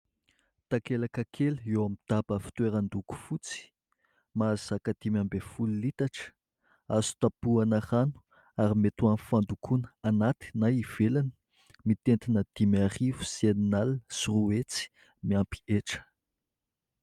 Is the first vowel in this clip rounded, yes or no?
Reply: no